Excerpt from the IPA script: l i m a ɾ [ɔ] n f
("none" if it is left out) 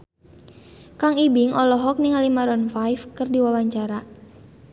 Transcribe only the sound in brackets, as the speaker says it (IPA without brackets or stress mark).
ɔ